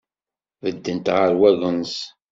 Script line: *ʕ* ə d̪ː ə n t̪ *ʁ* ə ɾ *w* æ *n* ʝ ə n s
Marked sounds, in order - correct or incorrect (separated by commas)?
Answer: incorrect, correct, correct, incorrect